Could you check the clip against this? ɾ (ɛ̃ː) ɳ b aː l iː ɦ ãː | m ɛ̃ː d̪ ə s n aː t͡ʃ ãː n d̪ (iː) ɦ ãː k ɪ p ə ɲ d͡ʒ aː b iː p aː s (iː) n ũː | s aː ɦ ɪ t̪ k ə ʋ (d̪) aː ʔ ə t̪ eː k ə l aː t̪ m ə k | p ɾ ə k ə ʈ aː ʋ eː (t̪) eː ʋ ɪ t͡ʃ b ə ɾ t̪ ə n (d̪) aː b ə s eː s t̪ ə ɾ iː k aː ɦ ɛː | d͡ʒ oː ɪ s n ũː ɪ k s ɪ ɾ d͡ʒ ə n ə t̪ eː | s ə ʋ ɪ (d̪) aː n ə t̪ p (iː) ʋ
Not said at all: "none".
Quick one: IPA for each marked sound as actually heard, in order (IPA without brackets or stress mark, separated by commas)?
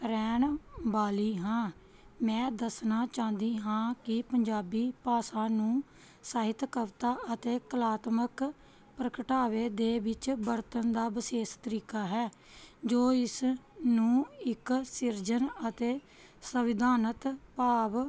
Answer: ɛː, iː, aː, t̪, d̪, d̪, d̪, aː